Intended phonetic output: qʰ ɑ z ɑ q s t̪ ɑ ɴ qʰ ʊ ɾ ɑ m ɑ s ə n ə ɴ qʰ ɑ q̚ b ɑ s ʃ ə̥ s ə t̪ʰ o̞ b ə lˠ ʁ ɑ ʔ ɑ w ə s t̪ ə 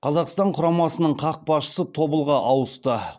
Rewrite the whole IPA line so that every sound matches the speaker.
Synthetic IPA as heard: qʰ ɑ z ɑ q s t̪ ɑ ɴ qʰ ʊ ɾ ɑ m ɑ s ə n ə ɴ qʰ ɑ q̚ b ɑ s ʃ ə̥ s ə t̪ʰ o̞ b ə lˠ ʁ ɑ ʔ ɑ w ə s t̪ ə